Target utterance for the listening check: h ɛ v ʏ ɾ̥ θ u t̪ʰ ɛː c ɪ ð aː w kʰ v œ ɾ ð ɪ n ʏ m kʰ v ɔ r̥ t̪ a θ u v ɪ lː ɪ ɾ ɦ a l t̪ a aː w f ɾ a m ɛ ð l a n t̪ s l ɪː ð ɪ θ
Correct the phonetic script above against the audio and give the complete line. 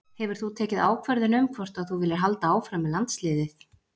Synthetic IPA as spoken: h ɛ v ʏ ɾ̥ θ u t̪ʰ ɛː c ɪ ð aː w kʰ v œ ɾ ð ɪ n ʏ m kʰ v ɔ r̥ t̪ a θ u v ɪ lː ɪ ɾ ɦ a l t̪ a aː w f ɾ a m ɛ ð l a n t̪ s l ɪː ð ɪ θ